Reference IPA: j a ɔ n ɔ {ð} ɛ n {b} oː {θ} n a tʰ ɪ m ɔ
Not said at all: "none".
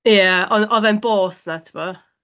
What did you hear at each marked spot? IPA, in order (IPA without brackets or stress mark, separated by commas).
ð, b, θ